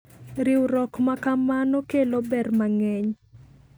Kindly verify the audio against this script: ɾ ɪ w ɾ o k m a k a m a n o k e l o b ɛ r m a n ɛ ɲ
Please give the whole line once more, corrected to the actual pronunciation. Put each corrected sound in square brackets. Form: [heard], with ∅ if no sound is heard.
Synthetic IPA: ɾ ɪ w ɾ [ɔ] k m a k a m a n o k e l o b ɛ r m a [ŋ] ɛ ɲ